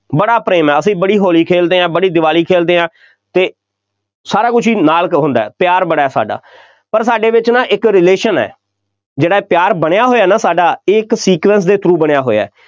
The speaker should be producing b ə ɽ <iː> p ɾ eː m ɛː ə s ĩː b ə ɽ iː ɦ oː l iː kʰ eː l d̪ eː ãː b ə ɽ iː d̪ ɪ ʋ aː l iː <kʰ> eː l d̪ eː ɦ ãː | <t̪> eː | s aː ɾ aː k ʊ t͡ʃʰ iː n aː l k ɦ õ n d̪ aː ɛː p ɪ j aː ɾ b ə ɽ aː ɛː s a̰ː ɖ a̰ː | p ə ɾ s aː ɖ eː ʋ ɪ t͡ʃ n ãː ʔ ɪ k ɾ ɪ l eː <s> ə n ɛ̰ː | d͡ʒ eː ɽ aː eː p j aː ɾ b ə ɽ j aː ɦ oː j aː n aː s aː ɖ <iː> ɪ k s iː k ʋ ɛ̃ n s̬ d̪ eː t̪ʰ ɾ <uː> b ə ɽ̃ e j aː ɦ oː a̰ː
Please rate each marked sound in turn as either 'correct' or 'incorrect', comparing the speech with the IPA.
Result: incorrect, correct, correct, incorrect, incorrect, correct

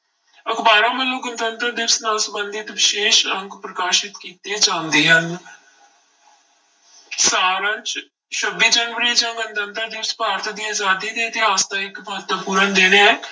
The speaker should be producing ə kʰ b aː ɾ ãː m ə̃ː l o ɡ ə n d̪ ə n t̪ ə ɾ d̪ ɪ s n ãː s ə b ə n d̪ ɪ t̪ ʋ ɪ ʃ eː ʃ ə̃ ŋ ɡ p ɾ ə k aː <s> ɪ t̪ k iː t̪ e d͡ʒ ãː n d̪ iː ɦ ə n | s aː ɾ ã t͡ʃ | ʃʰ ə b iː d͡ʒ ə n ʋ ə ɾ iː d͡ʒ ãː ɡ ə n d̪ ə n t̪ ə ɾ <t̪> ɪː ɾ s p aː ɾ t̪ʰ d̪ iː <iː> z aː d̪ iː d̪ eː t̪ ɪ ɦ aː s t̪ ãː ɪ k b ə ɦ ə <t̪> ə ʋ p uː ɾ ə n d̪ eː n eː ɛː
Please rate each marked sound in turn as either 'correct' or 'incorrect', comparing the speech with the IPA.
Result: incorrect, incorrect, incorrect, correct

